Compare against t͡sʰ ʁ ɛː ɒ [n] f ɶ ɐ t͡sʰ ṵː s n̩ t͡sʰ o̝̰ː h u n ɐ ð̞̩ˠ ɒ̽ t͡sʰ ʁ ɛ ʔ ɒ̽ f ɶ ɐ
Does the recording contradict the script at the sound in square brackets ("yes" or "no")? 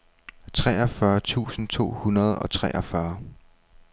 yes